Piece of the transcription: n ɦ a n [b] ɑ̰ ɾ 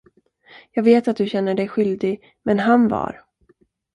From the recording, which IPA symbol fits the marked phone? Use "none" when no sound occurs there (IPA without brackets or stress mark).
v